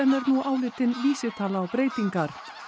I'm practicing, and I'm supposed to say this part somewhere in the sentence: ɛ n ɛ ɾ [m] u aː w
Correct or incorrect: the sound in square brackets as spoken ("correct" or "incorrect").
incorrect